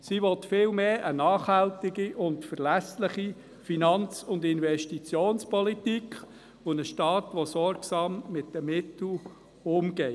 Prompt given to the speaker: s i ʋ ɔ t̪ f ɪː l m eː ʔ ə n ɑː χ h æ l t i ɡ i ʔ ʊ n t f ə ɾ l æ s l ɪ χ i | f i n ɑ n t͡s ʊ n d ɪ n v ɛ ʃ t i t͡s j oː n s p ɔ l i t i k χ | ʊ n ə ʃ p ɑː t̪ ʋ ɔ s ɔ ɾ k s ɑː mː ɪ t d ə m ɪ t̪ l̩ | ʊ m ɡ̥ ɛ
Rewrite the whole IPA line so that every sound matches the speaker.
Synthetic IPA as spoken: s i ʋ ɔ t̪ f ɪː l m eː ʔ ə n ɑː χ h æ l t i ɡ i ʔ ʊ n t f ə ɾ l æ s l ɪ χ i | f i n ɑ n t͡s ʊ n d ɪ n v ɛ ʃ t i t͡s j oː n s p ɔ l i t i k χ | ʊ n ə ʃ t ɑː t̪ ʋ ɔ s ɔ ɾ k s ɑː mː ɪ t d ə m ɪ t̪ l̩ | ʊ m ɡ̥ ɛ